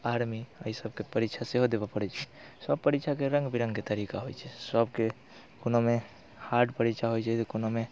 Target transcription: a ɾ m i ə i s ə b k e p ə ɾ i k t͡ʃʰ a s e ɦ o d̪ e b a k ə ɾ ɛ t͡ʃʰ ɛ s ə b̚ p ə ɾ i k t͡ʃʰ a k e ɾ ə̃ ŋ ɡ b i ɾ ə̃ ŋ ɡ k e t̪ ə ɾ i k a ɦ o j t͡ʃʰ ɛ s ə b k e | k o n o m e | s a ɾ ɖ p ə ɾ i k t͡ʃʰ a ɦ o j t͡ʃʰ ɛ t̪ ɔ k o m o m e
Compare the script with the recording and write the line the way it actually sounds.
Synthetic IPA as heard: a ɾ m i ə i s ə b k e p ə ɾ i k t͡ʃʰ a s e ɦ o d̪ e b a p ə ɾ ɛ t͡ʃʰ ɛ s ə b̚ p ə ɾ i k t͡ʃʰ a k e ɾ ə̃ ŋ ɡ b i ɾ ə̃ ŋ ɡ k e t̪ ə ɾ i k a ɦ o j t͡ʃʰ ɛ s ə b k e | k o n o m e | h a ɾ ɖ p ə ɾ i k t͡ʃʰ a ɦ o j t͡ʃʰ ɛ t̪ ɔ k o n o m e